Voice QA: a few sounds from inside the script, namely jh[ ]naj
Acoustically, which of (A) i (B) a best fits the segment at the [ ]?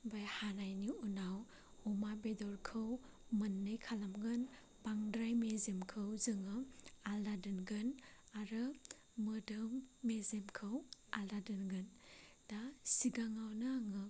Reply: B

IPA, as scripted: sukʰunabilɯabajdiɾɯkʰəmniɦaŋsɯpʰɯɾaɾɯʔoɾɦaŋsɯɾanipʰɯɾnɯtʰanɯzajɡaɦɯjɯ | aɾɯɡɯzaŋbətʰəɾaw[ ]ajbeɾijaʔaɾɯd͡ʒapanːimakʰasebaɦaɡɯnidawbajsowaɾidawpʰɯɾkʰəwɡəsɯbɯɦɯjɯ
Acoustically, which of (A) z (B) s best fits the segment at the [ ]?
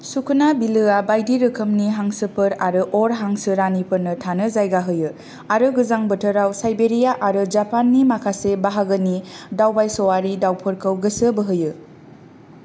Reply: B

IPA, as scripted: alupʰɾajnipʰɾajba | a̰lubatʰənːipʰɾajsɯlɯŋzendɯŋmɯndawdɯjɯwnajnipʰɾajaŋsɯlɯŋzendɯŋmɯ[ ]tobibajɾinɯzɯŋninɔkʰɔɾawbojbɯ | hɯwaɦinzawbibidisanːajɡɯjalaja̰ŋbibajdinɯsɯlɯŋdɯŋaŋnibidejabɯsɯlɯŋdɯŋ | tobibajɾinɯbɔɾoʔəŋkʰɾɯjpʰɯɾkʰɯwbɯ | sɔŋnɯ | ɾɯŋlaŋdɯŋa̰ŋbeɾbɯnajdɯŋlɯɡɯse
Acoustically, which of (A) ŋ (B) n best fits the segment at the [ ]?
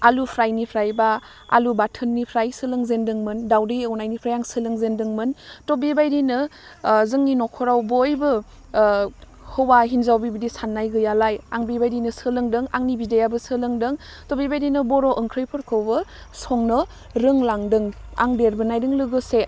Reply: B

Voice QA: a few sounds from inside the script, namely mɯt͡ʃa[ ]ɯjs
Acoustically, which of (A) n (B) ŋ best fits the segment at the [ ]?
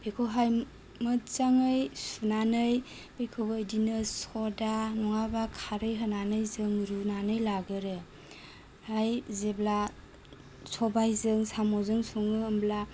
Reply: B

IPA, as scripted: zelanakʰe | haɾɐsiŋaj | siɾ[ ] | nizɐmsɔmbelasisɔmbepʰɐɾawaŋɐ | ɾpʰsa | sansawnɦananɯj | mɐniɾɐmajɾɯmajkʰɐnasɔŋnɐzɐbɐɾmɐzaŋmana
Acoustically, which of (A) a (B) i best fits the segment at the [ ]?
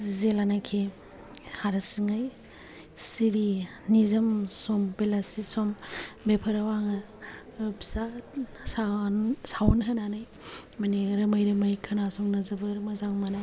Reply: B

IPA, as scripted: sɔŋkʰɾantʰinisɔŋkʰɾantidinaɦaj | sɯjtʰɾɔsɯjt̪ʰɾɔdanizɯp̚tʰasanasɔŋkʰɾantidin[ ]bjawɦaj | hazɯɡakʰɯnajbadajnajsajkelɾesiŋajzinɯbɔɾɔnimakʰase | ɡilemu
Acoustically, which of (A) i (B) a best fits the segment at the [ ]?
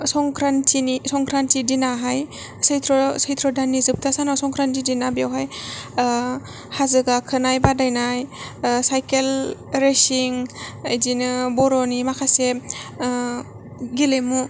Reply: B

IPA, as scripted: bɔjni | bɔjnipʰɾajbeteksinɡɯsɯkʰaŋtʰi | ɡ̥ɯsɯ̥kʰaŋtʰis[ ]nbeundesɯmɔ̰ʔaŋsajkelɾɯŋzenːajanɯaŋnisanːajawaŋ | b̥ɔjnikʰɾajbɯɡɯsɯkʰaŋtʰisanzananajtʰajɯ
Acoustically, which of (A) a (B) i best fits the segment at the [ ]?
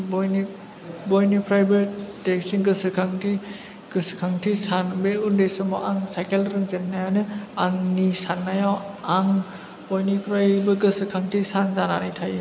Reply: A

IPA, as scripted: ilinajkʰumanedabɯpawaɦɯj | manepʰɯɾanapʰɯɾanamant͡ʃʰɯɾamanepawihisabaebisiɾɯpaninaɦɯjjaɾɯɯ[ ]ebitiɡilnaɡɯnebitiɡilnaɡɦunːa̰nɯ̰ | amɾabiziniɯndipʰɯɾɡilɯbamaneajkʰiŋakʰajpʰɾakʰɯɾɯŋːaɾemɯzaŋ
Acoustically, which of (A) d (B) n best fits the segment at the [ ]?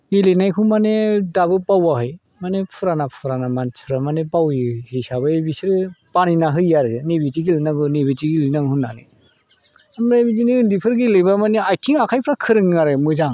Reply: B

